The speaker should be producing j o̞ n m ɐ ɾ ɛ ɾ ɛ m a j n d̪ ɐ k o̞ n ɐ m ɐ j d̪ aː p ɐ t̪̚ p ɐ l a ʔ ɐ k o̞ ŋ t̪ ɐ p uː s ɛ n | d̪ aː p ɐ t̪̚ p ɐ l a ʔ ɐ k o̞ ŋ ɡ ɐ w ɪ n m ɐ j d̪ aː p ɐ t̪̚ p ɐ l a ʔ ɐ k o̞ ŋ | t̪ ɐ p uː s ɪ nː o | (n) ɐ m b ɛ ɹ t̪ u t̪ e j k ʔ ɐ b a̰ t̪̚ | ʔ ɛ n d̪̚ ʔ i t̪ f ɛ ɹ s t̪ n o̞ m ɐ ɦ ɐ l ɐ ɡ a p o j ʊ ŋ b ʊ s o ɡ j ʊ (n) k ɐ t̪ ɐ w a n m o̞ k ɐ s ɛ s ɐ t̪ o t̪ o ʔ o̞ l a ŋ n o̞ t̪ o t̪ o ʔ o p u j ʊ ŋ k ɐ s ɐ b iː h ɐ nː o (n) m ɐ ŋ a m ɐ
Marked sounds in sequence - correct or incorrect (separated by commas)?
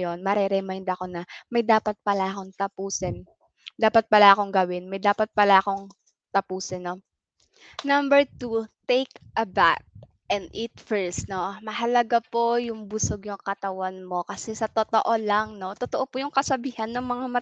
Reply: correct, incorrect, incorrect